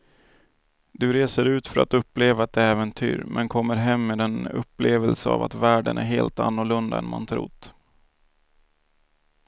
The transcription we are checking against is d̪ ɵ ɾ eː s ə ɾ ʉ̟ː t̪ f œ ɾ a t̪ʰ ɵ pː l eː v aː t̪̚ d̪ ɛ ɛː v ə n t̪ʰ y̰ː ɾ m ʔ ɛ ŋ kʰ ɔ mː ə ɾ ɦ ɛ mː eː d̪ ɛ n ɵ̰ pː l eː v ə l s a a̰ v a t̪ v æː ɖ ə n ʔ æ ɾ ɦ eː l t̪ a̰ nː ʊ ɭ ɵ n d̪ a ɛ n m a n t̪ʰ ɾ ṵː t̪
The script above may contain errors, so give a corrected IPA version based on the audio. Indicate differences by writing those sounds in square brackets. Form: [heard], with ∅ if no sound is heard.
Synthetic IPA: d̪ ɵ ɾ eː s ə ɾ ʉ̟ː t̪ f œ ɾ a [t̪] ɵ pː l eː v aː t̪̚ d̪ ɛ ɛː v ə n t̪ʰ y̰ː ɾ m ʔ ɛ [n] kʰ ɔ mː ə ɾ ɦ ɛ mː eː d̪ ɛ n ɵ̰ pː l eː v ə l s [ə] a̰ v a t̪ v æː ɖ ə n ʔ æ ɾ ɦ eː l t̪ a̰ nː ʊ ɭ ɵ n d̪ a ɛ n m a n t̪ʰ ɾ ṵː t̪